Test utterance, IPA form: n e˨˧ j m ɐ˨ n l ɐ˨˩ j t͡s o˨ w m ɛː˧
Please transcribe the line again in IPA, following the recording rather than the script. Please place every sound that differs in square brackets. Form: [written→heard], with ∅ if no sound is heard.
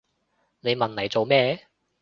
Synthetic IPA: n e˨˧ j m ɐ˨ n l ɐ˨˩ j t͡s o˨ w m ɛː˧

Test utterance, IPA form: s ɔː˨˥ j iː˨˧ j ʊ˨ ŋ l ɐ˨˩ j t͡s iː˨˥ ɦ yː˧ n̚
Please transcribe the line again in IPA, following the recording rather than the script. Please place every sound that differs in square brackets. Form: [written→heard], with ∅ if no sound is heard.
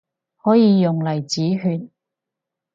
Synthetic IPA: [s→h] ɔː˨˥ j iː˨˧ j ʊ˨ ŋ l ɐ˨˩ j t͡s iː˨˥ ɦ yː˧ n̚

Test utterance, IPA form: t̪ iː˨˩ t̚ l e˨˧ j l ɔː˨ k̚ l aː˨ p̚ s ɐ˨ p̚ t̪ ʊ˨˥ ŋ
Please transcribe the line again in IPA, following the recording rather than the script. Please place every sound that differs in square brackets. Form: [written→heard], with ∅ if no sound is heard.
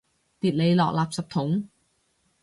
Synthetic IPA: t̪ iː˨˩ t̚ l e˨˧ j l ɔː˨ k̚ l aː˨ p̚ s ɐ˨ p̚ [t̪→t̪ʰ] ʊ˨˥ ŋ

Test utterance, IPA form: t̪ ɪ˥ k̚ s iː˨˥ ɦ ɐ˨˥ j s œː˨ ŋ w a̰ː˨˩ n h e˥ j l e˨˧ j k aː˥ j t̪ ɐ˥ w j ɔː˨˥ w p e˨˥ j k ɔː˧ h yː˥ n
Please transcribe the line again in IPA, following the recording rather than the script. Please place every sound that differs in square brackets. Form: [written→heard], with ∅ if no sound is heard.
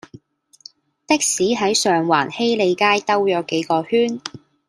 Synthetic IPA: t̪ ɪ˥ k̚ s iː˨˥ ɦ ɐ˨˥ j s œː˨ ŋ w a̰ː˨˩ n h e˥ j l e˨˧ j k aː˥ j t̪ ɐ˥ w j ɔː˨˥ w [p→k] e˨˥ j k ɔː˧ h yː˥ n

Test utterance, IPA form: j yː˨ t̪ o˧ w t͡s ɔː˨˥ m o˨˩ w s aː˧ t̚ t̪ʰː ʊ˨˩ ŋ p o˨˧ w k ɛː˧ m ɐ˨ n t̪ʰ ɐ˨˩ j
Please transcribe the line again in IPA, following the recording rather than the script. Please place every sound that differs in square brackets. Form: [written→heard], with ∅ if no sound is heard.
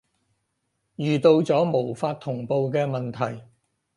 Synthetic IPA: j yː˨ t̪ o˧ w t͡s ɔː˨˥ m o˨˩ w [s→f] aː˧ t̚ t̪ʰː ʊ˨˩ ŋ p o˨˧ w k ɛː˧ m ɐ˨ n t̪ʰ ɐ˨˩ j

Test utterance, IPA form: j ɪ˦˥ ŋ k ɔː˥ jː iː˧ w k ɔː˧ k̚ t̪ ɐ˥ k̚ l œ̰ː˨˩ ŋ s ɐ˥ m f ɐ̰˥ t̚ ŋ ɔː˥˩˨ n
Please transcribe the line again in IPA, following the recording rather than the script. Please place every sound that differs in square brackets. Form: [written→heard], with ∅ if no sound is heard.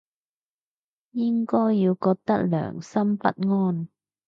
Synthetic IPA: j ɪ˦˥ ŋ k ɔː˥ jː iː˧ w k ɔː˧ k̚ t̪ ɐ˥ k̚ l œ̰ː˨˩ ŋ s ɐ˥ m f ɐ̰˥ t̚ ŋ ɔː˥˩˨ n

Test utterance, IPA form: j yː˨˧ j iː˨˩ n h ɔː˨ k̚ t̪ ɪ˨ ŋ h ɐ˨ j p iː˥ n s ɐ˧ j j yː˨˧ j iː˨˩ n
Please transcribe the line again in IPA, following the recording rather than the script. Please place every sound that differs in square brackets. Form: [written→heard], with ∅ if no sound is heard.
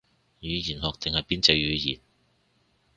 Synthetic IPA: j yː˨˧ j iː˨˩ n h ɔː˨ k̚ t̪ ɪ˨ ŋ h ɐ˨ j p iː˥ n [s→t͡s] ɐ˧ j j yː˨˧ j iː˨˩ n

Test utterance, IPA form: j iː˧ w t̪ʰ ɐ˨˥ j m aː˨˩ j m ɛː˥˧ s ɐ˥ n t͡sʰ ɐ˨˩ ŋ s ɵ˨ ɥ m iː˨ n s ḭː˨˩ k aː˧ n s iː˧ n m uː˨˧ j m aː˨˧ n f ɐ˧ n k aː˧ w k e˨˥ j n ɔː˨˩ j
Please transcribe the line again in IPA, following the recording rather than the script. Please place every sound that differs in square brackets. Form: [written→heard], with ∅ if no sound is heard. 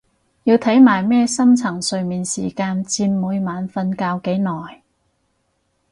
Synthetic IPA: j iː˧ w t̪ʰ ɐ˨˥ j m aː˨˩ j m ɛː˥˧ s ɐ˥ [n→m] t͡sʰ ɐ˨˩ ŋ s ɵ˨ ɥ m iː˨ n s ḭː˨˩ k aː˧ n [s→t͡s] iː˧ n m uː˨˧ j m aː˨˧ n f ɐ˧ n k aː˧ w k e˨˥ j n ɔː˨˩ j

